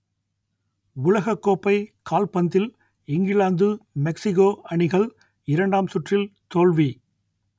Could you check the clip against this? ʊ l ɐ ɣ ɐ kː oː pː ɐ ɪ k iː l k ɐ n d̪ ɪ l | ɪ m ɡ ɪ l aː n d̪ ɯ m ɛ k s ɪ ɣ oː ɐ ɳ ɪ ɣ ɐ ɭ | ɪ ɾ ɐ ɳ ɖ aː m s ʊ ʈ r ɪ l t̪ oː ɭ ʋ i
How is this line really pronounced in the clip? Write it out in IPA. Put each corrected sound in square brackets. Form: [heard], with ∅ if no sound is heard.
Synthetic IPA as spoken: ʊ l ɐ ɣ ɐ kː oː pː ɐ ɪ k [aː] l [p] ɐ n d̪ ɪ l | ɪ [ŋ] ɡ ɪ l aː n d̪ ɯ m ɛ k s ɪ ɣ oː ɐ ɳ ɪ ɣ ɐ ɭ | ɪ ɾ ɐ ɳ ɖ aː m s ʊ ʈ r ɪ l t̪ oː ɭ ʋ i